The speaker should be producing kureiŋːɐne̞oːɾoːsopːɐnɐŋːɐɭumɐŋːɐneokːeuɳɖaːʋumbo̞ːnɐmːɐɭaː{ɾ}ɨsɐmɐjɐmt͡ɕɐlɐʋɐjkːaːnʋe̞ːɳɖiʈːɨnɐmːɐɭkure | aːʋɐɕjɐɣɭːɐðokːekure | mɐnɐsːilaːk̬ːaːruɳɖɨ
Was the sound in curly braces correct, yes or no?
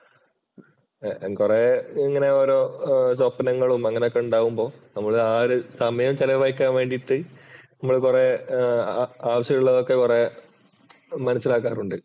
yes